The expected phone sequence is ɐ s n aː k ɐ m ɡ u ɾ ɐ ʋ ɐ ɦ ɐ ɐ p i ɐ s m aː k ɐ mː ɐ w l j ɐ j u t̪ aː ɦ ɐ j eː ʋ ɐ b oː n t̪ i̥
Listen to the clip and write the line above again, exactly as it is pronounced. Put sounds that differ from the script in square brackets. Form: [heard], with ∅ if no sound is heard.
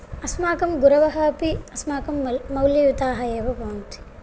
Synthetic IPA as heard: ɐ s [m] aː k ɐ m ɡ u ɾ ɐ ʋ ɐ ɦ ɐ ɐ p i ɐ s m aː k ɐ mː ɐ w l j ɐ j u t̪ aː ɦ ɐ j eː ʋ ɐ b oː n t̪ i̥